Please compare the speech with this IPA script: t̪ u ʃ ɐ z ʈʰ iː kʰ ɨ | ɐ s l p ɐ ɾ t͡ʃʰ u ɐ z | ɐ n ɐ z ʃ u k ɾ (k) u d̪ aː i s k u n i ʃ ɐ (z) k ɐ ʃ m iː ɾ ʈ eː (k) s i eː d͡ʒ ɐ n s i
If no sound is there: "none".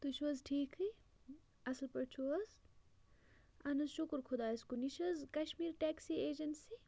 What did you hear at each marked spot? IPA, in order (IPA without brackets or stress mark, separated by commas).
kʰ, z, k